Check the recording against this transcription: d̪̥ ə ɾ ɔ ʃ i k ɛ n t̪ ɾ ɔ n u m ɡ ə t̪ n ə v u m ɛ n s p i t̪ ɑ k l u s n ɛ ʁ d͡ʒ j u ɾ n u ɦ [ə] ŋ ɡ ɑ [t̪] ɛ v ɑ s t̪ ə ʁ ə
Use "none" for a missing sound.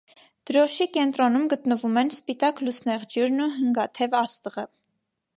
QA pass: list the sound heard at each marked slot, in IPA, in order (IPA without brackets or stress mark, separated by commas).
ə, t̪ʰ